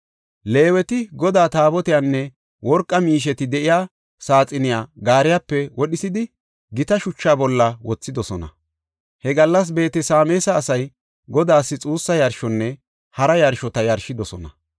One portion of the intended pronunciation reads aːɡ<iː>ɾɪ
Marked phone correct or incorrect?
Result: incorrect